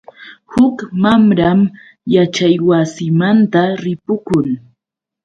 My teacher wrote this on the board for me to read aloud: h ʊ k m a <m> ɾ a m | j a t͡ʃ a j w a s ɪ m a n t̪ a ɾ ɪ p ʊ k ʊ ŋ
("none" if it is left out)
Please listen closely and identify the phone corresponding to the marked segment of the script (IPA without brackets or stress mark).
m